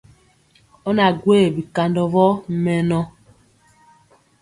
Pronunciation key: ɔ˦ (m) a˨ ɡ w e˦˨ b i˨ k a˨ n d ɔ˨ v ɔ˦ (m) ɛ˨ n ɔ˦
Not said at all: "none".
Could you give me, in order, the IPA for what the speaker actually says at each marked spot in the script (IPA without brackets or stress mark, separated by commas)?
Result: n, m